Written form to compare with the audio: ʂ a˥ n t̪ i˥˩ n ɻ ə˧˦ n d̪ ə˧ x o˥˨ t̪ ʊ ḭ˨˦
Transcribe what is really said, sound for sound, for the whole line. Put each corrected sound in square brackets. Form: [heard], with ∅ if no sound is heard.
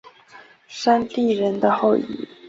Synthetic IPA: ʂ a˥ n t̪ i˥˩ [∅] ɻ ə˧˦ n d̪ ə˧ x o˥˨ [∅] ʊ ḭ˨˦

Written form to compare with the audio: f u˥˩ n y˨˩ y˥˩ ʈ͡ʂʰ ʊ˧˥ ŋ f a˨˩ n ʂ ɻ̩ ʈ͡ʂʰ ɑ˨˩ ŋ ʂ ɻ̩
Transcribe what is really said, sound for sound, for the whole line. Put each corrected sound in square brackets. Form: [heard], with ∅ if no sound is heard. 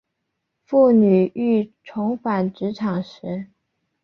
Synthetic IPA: f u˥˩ n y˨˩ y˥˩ ʈ͡ʂʰ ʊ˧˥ ŋ f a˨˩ n [ʈ͡ʂ] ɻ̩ ʈ͡ʂʰ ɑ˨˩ ŋ ʂ ɻ̩

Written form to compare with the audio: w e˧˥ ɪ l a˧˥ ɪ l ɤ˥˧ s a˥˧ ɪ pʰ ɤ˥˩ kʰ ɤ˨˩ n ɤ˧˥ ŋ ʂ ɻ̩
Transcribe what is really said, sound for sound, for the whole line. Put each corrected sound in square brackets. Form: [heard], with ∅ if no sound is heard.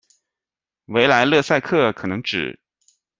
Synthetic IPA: w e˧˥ ɪ l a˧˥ ɪ l ɤ˥˧ s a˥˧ ɪ [kʰ] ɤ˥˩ kʰ ɤ˨˩ n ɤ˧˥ ŋ [ʈ͡ʂ] ɻ̩

